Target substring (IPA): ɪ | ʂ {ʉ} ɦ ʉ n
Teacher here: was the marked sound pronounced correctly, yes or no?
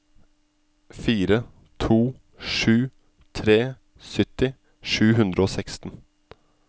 no